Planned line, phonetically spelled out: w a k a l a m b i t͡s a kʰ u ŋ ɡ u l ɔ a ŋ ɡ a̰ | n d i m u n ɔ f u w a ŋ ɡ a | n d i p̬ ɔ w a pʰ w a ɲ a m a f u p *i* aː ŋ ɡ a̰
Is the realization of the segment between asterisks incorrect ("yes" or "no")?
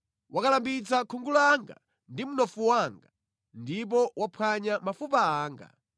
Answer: yes